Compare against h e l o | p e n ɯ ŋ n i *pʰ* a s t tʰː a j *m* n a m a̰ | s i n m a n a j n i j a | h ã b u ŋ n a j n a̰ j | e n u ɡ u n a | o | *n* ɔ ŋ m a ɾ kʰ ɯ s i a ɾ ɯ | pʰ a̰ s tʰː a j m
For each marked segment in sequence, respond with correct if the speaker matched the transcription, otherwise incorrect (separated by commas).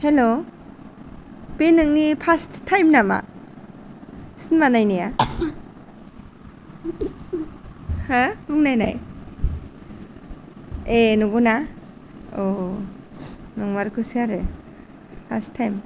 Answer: correct, correct, correct